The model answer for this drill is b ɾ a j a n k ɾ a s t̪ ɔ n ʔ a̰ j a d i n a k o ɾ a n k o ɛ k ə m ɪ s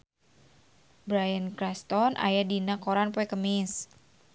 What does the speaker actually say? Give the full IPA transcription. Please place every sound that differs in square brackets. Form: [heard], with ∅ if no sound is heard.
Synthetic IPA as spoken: b ɾ a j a n k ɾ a s t̪ ɔ n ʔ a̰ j a d i n a k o ɾ a n [p] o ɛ k ə m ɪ s